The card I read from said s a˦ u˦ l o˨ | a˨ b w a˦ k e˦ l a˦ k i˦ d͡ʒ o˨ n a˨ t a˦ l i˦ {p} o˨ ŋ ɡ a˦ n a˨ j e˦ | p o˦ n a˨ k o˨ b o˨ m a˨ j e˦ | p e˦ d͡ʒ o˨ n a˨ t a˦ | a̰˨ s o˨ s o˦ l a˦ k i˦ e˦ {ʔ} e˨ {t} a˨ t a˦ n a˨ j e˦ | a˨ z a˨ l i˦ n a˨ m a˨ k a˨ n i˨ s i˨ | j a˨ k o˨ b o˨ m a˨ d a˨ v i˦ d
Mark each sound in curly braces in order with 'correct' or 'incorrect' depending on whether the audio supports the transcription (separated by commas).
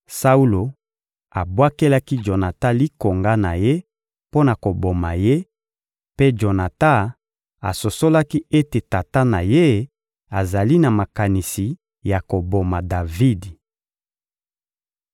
incorrect, incorrect, correct